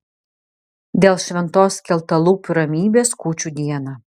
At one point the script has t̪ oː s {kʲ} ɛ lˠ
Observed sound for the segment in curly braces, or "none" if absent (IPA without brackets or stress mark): kʲ